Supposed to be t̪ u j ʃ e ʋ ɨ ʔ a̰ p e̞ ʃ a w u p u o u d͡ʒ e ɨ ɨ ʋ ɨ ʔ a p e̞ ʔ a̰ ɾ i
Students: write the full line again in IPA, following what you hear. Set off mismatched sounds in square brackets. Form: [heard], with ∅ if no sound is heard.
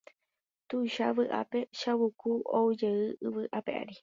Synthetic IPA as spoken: t̪ u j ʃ [a] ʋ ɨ ʔ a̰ p e̞ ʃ a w u [k] u o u d͡ʒ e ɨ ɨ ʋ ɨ ʔ a p e̞ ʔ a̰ ɾ i